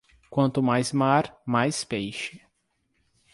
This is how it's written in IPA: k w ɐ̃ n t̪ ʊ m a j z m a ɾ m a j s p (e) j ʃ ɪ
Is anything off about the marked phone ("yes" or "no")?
no